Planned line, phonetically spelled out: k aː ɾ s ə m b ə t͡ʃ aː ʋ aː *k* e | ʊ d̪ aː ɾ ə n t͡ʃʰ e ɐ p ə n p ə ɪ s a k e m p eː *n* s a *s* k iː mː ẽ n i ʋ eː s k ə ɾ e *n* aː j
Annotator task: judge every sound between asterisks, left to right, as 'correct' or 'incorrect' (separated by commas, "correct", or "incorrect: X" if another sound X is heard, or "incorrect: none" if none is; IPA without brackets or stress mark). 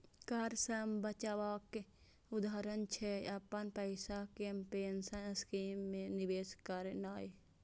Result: correct, correct, correct, correct